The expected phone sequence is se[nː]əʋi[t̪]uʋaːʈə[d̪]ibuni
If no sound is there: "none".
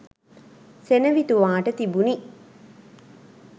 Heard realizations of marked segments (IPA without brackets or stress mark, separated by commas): n, t̪, t̪